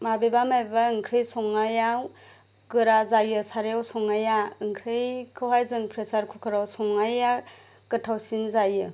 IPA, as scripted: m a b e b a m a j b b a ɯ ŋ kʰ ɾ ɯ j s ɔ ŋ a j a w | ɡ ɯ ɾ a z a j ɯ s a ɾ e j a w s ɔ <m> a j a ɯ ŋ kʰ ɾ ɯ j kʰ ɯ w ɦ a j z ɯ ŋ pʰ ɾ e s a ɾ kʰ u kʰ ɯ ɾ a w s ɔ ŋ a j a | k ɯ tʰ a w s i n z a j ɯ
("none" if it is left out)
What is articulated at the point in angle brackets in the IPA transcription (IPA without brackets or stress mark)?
ŋ